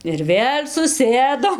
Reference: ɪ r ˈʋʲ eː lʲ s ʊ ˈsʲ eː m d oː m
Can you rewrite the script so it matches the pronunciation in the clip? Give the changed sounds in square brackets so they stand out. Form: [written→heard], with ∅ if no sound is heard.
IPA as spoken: ɪ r ˈʋʲ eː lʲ s ʊ ˈsʲ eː [m→∅] d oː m